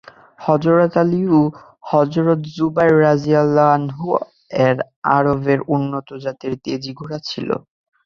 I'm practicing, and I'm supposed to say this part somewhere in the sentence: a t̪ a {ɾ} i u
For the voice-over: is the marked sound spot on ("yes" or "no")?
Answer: no